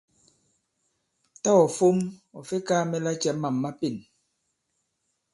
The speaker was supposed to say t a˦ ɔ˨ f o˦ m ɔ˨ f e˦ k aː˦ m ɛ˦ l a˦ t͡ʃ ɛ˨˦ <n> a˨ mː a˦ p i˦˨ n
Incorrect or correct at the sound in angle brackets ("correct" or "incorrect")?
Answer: incorrect